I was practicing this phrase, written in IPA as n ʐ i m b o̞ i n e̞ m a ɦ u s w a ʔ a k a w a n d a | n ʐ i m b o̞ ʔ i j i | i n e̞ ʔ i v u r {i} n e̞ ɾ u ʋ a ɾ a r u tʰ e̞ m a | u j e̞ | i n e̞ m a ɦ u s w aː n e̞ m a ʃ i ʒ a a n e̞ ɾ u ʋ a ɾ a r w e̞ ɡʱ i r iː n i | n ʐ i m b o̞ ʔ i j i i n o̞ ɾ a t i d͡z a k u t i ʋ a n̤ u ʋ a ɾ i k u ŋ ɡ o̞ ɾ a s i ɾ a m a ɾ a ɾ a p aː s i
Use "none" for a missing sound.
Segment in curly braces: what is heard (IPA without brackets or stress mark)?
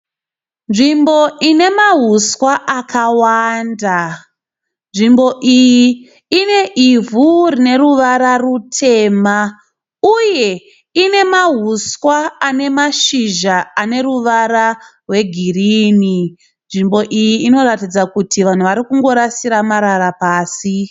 i